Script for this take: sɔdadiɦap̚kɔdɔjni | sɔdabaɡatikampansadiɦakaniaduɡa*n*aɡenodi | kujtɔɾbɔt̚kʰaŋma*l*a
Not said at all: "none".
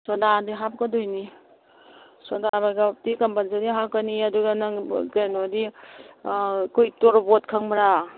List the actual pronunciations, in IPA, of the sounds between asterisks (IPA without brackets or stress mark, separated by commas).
n, ɾ